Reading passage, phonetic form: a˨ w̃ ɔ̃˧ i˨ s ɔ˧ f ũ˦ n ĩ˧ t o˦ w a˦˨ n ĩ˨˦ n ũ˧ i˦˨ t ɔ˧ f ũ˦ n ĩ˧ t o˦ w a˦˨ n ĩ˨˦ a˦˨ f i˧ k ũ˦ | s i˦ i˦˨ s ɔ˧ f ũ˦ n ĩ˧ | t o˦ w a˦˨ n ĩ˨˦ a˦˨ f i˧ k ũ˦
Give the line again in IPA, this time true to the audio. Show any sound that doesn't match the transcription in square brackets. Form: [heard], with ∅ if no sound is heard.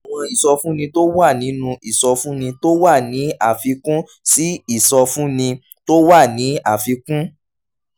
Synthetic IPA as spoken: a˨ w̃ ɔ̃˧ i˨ s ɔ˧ f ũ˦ n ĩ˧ t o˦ w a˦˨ n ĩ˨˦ n ũ˧ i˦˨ [s] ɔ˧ f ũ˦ n ĩ˧ t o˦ w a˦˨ n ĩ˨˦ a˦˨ f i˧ k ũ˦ | s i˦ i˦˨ s ɔ˧ f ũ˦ n ĩ˧ | t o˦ w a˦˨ n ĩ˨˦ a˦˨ f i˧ k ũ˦